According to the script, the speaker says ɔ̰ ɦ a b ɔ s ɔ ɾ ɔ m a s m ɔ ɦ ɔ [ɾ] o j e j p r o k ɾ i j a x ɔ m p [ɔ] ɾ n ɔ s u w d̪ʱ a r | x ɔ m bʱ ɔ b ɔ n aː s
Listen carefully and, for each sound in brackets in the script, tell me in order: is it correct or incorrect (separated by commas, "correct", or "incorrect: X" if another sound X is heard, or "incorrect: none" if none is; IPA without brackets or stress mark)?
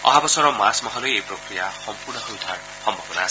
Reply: incorrect: l, incorrect: u